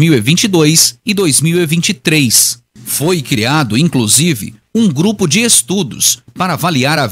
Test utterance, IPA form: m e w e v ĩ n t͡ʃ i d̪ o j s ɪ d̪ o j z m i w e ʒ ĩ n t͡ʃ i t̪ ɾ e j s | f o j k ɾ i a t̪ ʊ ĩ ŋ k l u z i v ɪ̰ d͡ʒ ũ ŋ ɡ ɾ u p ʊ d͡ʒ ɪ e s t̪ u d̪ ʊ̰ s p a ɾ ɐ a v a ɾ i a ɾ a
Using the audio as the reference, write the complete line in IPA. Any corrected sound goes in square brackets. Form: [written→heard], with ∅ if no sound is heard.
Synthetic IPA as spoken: m [e→i] w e v ĩ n t͡ʃ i d̪ o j s ɪ d̪ o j z m i w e [ʒ→v] ĩ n t͡ʃ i t̪ ɾ e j s | f o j k ɾ i a [t̪→d̪] ʊ ĩ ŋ k l u z i v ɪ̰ [d͡ʒ→∅] ũ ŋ ɡ ɾ u p ʊ d͡ʒ ɪ e s t̪ u d̪ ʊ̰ s p a ɾ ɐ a v a [ɾ→l] i a ɾ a